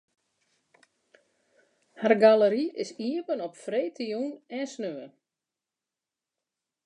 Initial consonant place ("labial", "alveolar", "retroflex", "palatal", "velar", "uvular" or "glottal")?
glottal